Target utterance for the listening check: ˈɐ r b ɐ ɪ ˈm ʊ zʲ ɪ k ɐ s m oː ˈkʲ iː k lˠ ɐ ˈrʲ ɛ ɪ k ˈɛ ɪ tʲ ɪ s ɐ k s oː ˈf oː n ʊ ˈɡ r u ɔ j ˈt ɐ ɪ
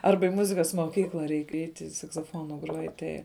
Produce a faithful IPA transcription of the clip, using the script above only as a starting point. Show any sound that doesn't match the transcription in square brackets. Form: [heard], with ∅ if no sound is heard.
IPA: ˈɐ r b ɐ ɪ ˈm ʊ zʲ ɪ k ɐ s m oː ˈkʲ iː k lˠ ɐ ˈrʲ ɛ ɪ k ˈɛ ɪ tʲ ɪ s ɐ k s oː ˈf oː n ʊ ˈɡ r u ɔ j ˈt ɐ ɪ